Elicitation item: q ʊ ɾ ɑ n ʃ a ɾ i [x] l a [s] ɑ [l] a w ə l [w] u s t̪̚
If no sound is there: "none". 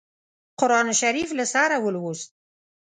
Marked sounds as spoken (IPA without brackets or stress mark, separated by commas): f, s, ɾ, w